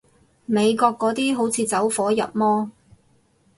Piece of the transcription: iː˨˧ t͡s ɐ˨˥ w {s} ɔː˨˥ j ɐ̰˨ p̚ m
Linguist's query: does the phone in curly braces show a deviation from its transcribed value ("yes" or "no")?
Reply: yes